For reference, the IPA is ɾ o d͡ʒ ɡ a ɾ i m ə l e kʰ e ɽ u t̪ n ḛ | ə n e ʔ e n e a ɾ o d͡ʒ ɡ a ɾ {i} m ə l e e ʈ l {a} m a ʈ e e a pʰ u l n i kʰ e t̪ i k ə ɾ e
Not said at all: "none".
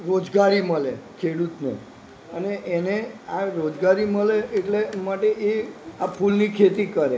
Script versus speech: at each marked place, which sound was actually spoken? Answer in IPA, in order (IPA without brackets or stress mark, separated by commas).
i, e